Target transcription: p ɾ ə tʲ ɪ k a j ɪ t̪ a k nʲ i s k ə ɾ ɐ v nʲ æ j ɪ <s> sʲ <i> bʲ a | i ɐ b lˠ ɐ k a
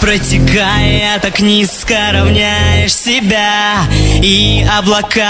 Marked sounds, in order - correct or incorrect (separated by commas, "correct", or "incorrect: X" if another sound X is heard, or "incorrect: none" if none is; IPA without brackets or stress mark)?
incorrect: ʂ, incorrect: ɪ